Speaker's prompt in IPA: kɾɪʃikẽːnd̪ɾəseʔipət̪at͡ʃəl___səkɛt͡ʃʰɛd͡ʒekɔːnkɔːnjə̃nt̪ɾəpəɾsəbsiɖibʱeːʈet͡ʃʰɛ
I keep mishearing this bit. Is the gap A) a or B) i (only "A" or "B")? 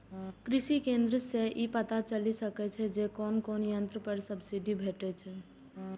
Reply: B